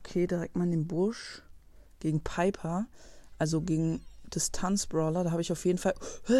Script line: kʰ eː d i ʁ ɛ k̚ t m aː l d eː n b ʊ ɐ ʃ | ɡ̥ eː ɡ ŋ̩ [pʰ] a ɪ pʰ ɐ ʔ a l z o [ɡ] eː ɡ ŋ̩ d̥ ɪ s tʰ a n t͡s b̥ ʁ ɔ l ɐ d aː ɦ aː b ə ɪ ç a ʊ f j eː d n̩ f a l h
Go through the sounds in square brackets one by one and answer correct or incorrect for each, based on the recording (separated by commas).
correct, correct